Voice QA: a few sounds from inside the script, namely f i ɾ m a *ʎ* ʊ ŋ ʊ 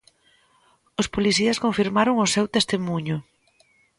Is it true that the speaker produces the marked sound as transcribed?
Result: no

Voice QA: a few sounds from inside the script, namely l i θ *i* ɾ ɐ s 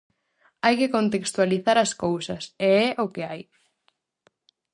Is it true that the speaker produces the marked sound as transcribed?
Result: no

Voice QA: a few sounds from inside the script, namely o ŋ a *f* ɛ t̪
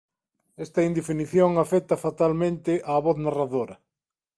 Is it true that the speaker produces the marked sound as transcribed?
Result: yes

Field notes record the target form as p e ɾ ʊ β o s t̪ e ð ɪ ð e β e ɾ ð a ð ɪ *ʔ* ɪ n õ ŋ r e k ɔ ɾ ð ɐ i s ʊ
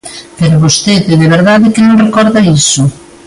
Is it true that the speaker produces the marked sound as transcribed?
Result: no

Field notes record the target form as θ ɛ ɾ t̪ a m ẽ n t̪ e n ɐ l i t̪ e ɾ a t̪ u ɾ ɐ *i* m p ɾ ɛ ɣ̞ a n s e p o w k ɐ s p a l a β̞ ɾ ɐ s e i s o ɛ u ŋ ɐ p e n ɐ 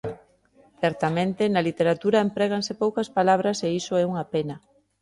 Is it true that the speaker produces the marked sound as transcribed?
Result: no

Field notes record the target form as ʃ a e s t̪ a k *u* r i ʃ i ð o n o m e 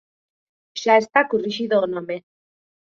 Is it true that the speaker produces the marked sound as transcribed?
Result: yes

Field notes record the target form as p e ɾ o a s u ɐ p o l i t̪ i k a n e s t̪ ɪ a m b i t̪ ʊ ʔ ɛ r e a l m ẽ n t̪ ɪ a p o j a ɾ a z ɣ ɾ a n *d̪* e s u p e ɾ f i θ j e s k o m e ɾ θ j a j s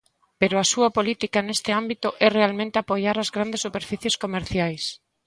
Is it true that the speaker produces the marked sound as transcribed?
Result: yes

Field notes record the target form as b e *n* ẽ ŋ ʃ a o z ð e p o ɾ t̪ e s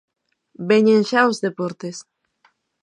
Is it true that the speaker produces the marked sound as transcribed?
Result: no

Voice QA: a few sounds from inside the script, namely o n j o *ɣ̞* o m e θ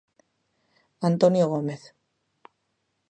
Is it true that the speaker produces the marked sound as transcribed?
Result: yes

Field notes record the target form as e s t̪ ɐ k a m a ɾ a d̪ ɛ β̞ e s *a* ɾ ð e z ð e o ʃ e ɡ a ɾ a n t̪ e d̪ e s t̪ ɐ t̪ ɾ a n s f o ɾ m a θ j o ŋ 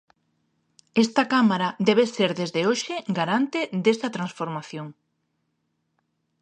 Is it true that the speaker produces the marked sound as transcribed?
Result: no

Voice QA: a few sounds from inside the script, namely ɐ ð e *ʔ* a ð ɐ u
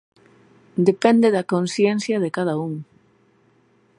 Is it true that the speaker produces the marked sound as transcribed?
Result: no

